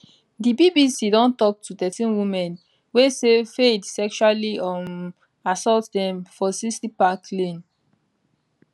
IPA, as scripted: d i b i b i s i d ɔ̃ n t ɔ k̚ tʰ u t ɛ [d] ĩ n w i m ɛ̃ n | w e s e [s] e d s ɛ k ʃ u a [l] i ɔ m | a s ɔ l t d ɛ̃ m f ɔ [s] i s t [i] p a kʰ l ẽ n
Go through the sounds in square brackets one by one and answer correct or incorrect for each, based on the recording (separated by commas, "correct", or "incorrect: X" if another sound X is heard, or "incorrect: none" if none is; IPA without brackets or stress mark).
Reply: incorrect: t, incorrect: f, correct, correct, correct